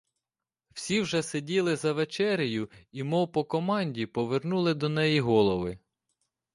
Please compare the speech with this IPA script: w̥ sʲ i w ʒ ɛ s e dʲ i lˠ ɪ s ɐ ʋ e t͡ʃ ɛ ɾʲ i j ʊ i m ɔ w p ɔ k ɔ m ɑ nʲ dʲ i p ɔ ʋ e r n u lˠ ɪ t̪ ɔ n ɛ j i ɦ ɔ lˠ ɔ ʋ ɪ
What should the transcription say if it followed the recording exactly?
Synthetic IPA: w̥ sʲ i w ʒ ɛ s e dʲ i lˠ ɪ z ɐ ʋ e t͡ʃ ɛ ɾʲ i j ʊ i m ɔ w p ɔ k ɔ m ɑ nʲ dʲ i p ɔ ʋ e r n u lˠ ɪ d̪ ɔ n ɛ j i ɦ ɔ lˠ ɔ ʋ ɪ